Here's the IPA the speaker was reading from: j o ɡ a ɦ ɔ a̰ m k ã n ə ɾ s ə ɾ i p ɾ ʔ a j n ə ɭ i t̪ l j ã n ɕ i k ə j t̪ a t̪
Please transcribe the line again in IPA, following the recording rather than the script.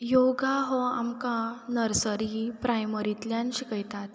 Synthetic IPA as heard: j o ɡ a ɦ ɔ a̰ m k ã n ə ɾ s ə ɾ i p ɾ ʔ a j m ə ɾ i t̪ l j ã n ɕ i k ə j t̪ a t̪